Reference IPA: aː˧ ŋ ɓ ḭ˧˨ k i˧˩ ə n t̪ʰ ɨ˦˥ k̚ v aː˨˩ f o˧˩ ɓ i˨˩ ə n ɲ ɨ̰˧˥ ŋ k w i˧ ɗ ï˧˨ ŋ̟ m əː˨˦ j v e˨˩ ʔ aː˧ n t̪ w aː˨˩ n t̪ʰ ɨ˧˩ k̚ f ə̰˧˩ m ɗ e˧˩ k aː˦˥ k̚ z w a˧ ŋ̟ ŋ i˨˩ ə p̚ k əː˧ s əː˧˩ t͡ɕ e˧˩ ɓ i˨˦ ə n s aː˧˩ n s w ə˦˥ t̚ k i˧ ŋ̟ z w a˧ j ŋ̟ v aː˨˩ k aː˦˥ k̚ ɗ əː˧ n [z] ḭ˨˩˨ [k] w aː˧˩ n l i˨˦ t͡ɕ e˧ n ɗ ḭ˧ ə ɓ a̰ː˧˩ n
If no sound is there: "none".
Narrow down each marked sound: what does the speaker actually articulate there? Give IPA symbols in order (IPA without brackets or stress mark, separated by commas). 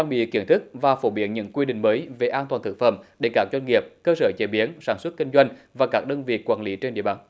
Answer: v, k